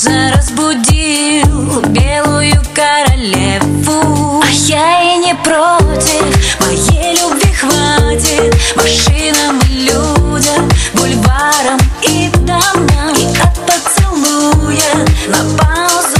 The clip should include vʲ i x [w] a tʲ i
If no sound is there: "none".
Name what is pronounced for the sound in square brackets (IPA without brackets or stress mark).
v